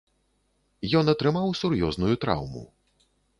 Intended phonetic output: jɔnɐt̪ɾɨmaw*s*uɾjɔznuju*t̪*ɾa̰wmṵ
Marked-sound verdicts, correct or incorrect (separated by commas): correct, correct